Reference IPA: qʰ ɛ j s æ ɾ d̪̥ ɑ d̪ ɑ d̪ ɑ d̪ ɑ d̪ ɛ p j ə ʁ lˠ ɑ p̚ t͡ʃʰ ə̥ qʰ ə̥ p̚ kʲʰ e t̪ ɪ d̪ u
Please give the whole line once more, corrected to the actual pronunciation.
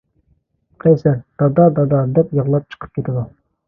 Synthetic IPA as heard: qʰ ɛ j s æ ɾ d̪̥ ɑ d̪ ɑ d̪ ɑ d̪ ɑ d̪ ɛ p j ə ʁ lˠ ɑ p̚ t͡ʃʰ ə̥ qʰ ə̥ p̚ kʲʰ e t̪ ɪ d̪ u